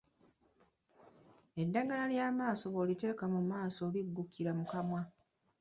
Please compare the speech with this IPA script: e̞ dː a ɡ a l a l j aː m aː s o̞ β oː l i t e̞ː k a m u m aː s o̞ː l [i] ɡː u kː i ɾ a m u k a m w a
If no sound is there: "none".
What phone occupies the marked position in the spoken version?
i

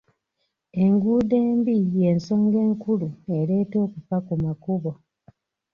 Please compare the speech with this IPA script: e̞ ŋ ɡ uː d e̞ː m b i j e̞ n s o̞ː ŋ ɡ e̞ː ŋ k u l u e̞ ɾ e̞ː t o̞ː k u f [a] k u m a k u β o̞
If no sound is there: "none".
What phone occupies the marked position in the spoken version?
a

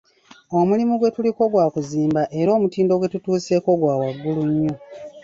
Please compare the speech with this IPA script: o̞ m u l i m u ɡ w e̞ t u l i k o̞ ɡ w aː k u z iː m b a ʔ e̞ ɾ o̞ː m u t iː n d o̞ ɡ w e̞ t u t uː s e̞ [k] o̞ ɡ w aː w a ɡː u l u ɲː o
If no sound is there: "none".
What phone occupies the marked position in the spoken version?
k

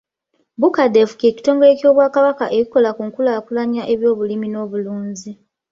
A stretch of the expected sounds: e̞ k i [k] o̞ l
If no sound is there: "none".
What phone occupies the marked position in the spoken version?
k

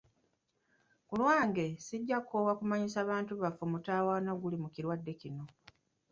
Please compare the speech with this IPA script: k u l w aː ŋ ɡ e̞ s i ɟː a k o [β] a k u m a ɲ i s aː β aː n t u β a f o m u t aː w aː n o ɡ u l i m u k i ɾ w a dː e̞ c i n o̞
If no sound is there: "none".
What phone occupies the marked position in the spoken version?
w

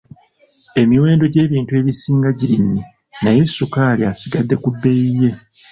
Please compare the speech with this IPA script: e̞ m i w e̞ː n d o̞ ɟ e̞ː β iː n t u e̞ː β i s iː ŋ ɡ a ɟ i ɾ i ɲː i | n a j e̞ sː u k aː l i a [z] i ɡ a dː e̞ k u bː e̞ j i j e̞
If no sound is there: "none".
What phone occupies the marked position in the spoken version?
s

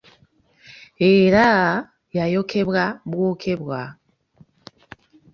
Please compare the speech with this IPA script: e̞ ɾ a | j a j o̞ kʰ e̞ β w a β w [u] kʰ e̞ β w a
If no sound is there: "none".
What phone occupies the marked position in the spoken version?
o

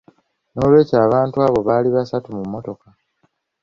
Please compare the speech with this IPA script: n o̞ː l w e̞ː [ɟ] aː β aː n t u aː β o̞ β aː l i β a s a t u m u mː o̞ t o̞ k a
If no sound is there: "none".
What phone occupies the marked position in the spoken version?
c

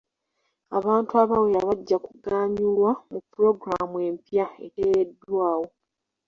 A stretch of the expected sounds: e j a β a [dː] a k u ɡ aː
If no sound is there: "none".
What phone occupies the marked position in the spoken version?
ɟː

